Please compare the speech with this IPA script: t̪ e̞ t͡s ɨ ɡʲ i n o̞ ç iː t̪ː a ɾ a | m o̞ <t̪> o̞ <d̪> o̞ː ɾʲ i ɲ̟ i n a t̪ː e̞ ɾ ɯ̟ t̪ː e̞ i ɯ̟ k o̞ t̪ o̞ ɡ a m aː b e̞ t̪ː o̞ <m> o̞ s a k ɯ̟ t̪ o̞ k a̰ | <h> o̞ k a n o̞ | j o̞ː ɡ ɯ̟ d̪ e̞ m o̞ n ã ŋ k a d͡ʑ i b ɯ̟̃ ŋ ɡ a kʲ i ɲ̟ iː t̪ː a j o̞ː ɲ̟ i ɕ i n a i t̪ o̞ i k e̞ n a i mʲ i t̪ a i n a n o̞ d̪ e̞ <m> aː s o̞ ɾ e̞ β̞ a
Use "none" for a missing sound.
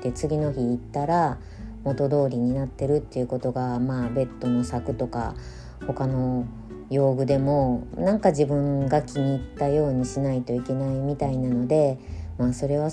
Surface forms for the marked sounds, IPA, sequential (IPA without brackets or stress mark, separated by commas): t̪, d̪, n, h, m